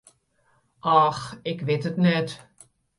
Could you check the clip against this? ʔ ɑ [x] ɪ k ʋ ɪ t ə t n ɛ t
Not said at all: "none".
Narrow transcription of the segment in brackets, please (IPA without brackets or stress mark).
x